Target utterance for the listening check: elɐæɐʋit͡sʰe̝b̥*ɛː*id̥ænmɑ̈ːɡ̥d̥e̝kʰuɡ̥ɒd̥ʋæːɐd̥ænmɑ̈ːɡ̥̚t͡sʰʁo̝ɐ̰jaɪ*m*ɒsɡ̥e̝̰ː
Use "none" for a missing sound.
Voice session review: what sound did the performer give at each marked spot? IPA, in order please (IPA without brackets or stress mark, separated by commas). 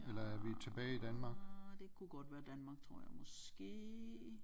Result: ɛː, m